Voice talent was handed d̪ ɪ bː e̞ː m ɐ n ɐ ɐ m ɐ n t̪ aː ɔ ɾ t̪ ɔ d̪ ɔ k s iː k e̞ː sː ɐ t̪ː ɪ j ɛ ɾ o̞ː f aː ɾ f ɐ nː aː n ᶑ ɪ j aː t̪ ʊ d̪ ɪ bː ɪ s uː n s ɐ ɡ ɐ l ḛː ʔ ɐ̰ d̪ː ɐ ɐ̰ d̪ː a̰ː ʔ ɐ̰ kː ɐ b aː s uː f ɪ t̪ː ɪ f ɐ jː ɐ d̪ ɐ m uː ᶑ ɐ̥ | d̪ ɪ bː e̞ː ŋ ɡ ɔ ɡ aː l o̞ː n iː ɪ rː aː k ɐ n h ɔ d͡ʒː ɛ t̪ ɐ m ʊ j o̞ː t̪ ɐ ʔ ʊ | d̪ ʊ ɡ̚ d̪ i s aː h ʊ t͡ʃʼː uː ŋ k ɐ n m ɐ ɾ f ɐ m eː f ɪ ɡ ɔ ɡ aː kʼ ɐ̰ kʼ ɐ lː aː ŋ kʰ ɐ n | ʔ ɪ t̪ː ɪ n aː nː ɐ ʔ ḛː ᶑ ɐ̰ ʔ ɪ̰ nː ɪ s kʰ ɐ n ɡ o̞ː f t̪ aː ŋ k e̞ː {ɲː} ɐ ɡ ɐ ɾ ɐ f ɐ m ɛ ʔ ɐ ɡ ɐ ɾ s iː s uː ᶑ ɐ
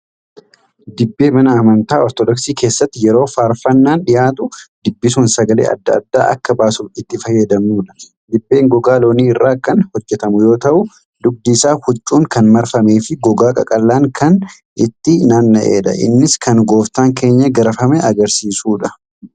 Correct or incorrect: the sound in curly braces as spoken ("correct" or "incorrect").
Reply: correct